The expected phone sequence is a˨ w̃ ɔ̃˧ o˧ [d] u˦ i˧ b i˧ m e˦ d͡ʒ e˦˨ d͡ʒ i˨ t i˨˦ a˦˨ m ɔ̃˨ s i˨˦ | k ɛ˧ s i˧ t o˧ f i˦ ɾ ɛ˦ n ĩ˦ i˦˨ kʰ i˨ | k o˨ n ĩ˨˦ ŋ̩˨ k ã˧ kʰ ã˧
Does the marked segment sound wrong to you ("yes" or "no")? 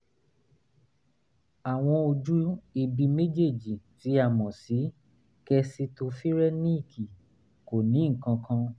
yes